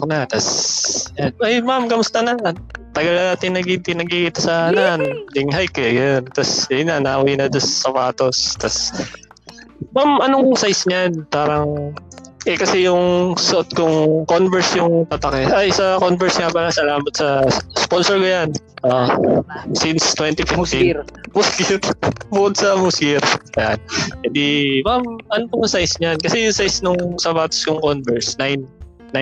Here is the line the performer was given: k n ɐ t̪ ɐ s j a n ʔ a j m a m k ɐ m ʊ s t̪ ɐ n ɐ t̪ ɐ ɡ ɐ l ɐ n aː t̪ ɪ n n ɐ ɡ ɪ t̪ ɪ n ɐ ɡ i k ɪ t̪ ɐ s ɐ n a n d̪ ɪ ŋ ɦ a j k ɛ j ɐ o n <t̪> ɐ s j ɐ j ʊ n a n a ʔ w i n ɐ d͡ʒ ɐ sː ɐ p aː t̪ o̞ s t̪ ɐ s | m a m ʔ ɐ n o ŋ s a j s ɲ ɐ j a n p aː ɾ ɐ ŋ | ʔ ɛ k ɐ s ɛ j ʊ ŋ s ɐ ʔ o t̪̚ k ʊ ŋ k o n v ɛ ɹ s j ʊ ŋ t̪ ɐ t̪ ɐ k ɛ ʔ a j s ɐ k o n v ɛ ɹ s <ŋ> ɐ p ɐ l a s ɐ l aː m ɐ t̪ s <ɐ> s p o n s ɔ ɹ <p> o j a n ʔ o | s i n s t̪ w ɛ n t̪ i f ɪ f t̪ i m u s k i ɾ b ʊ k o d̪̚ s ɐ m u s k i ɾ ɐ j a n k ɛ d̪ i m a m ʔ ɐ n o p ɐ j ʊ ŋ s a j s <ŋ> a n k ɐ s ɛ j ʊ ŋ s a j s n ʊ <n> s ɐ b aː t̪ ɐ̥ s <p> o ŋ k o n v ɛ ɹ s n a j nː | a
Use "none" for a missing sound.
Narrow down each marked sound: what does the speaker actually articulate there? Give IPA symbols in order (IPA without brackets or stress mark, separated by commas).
t̪, ŋ, ɐ, k, ɲ, ŋ, k